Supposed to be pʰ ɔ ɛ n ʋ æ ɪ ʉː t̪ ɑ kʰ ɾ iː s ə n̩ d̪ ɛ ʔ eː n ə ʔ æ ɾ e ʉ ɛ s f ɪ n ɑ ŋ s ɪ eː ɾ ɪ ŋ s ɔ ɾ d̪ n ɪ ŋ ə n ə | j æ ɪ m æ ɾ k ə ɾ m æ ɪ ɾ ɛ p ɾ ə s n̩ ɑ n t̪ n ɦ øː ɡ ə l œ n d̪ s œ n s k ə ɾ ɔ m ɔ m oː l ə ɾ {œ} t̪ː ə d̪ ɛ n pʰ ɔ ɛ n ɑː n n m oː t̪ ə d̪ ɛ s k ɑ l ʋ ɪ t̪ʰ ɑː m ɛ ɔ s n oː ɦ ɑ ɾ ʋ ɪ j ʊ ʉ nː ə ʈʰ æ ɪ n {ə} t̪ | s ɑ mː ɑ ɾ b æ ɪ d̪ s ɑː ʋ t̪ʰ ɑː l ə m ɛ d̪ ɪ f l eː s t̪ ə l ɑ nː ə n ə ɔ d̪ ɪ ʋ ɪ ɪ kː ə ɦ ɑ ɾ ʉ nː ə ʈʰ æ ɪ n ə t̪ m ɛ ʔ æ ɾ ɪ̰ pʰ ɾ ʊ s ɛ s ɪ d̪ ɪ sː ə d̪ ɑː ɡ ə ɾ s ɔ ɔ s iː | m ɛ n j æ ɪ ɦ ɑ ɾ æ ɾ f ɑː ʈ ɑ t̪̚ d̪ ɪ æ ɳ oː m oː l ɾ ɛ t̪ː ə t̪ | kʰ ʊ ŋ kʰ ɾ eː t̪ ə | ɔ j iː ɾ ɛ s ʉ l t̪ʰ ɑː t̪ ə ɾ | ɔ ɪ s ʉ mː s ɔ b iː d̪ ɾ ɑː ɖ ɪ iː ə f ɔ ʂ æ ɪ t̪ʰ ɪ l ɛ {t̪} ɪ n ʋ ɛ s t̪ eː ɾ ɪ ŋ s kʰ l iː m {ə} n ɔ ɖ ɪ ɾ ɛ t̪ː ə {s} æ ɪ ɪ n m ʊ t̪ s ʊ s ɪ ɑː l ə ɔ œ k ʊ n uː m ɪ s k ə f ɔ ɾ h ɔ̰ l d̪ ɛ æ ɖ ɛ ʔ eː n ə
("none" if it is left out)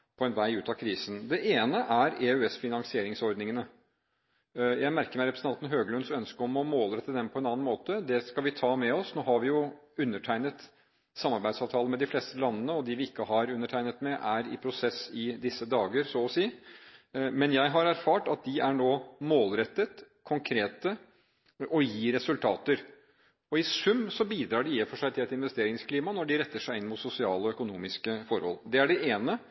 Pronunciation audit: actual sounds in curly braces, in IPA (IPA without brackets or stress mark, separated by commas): ɛ, ə, t̪, ɑ, ʂ